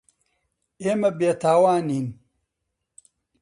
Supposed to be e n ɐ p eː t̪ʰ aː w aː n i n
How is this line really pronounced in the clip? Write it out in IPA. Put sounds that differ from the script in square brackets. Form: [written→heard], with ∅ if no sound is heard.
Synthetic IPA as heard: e [n→m] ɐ [p→b] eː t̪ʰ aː w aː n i n